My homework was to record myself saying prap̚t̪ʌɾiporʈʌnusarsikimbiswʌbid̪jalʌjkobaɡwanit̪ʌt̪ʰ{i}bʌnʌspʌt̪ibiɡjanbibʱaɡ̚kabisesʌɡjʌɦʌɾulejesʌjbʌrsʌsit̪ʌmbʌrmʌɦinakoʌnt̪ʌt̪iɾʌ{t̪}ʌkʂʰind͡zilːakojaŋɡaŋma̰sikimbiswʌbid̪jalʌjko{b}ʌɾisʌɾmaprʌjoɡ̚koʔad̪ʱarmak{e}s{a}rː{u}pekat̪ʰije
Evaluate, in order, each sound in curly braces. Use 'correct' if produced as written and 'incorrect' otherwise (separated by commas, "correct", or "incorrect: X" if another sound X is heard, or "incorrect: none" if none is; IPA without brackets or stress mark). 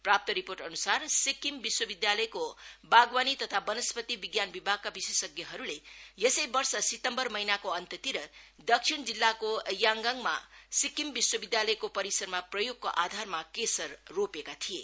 incorrect: a, incorrect: d̪, incorrect: p, correct, incorrect: ʌ, incorrect: o